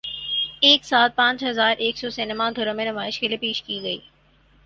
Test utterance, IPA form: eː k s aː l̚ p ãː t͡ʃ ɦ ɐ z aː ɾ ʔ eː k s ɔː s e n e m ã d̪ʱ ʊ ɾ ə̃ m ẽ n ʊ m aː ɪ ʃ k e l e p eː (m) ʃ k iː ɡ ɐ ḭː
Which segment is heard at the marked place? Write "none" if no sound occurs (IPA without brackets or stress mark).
none